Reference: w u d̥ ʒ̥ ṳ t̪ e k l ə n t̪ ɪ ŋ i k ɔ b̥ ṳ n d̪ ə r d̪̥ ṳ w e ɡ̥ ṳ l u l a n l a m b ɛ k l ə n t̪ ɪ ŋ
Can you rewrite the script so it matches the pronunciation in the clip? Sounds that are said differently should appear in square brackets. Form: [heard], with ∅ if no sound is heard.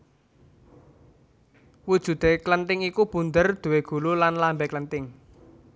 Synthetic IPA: w u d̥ ʒ̥ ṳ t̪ e k l ə n t̪ ɪ ŋ i k [u] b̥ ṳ n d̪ ə r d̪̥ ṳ w e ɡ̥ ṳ l u l a n l a m b ɛ k l ə n t̪ ɪ ŋ